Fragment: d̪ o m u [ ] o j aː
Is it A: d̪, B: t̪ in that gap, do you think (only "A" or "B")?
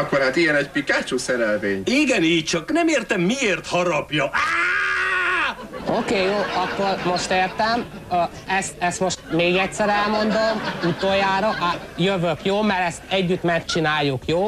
B